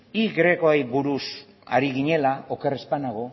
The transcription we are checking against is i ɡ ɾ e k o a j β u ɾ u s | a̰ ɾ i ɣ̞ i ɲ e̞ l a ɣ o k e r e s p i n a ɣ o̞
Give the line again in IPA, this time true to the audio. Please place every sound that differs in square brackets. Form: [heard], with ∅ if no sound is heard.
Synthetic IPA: i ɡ ɾ e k o a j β u ɾ u s | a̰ ɾ i ɣ̞ i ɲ e̞ l a [∅] o k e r e s p [a] n a ɣ o̞